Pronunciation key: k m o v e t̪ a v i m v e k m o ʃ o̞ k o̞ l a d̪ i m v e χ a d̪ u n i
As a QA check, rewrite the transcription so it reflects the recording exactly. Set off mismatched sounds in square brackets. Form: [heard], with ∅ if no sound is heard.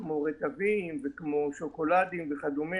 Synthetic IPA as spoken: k m o [ʁ] e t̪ a v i m v e k m o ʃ o̞ k o̞ l a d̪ i m v e χ a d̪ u [m] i